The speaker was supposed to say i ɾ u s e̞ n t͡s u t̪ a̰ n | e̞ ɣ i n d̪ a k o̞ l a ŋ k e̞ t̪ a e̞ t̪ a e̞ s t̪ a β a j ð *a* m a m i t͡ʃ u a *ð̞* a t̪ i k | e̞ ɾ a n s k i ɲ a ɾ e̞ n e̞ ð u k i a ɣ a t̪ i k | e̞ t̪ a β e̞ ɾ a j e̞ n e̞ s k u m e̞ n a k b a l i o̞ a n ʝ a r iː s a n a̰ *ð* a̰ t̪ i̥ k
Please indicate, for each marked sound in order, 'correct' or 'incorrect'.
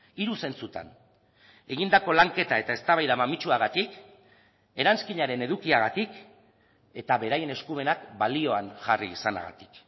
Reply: correct, incorrect: ɣ̞, incorrect: ɣ

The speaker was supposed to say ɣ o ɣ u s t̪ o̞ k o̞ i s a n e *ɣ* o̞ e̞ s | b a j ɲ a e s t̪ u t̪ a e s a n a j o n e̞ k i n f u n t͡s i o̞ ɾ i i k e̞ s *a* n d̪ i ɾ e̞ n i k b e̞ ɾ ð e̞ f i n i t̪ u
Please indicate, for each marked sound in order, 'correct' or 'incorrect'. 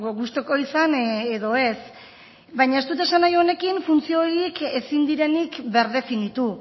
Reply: incorrect: ð, incorrect: i

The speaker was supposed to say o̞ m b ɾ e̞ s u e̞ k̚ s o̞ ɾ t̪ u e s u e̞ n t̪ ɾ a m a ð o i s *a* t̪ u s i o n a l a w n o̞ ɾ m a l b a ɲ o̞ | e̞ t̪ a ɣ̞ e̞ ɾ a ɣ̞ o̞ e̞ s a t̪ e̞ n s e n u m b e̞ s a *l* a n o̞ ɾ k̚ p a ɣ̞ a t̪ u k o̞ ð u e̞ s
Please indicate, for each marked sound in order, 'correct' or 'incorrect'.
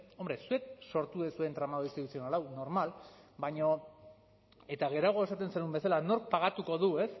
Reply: incorrect: i, correct

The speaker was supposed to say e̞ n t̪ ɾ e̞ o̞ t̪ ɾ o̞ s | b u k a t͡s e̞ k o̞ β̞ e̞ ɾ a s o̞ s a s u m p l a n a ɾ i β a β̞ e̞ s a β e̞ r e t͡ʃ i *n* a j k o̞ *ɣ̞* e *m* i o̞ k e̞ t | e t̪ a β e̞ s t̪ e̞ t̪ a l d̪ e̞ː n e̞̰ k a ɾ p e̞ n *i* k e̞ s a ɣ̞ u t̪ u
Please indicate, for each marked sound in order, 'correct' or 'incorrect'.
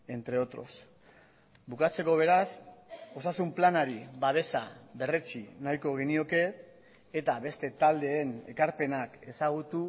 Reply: correct, correct, incorrect: n, incorrect: a

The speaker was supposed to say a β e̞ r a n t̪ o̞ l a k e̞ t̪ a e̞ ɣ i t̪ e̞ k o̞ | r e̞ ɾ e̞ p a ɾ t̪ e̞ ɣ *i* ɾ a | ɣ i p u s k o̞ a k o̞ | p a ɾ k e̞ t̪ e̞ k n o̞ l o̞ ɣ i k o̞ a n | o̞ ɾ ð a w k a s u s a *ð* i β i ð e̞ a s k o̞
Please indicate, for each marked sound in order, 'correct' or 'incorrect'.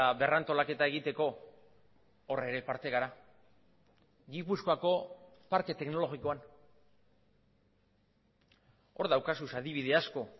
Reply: incorrect: a, correct

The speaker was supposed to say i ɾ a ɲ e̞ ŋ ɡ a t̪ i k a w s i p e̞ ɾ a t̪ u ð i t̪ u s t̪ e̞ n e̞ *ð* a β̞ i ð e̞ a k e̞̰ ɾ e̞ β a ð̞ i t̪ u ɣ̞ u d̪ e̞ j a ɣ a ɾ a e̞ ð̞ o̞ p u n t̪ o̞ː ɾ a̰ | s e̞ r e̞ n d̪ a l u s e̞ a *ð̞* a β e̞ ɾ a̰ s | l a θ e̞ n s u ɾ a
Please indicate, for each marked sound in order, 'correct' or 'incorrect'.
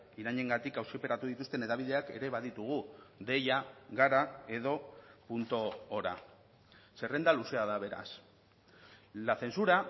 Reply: correct, correct

